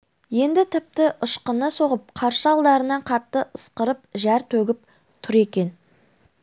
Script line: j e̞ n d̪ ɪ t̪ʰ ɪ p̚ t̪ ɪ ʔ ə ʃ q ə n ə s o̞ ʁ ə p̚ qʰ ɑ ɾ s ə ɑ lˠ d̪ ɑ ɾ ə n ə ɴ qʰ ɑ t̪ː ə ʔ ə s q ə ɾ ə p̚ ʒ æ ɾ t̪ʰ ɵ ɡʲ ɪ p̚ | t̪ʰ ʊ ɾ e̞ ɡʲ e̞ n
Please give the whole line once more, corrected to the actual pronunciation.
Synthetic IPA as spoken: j e̞ n d̪ ɪ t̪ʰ ɪ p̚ t̪ ɪ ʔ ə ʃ q ə n ə s o̞ ʁ ə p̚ qʰ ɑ ɾ ʃ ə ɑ lˠ d̪ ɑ ɾ ə n ɑ ɴ qʰ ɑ t̪ː ə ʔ ə s q ə ɾ ə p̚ ʒ æ ɾ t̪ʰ ɵ ɡʲ ɪ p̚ | t̪ʰ ʊ ɾ e̞ kʲ e̞ n